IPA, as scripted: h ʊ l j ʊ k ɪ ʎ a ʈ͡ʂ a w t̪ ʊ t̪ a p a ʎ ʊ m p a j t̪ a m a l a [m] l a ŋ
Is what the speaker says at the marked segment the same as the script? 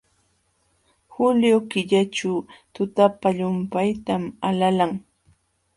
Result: no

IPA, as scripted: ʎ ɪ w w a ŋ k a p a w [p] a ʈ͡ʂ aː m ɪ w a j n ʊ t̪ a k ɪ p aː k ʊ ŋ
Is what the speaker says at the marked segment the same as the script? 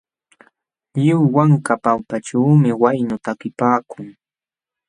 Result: yes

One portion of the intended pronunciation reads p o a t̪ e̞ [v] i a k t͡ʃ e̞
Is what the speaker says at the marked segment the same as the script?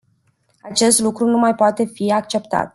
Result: no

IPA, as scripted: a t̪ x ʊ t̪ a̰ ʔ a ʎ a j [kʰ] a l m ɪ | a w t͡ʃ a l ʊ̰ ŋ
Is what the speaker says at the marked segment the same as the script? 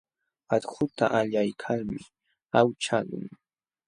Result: yes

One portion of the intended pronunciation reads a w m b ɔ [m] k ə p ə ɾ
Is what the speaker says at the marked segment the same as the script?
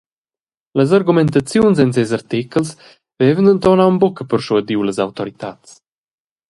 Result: no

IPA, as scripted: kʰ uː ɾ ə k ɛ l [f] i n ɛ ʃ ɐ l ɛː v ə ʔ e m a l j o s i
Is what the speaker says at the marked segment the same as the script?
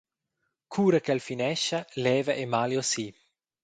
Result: yes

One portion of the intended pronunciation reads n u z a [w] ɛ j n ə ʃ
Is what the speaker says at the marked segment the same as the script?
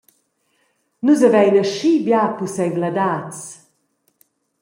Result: no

